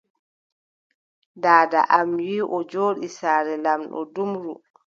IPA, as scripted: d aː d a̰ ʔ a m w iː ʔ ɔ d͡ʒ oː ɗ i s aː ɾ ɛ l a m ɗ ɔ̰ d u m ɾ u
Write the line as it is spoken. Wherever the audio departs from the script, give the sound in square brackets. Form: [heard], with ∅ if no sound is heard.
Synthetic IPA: d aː d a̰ ʔ a m w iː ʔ ɔ d͡ʒ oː ɗ i s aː ɾ ɛ l a m ɗ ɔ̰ d u m ɾ u